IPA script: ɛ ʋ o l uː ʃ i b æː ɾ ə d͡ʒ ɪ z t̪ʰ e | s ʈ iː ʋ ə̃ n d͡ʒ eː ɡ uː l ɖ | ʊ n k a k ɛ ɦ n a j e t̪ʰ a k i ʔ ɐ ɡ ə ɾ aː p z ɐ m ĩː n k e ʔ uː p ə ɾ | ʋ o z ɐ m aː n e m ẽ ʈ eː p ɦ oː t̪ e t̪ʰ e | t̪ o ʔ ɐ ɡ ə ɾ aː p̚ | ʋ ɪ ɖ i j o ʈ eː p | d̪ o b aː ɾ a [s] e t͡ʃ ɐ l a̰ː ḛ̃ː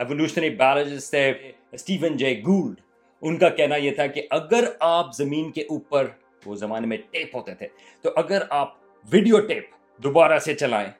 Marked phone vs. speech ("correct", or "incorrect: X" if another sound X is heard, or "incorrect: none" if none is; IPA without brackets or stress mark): correct